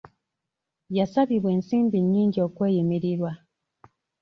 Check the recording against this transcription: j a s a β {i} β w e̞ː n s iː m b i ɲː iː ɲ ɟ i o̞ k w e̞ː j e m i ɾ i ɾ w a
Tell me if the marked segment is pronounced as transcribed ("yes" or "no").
yes